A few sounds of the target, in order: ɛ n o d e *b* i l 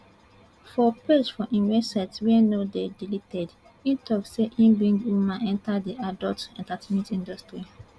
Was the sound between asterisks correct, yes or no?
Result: no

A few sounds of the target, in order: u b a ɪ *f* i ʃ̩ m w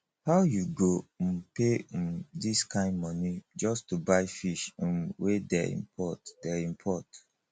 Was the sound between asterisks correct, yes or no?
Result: yes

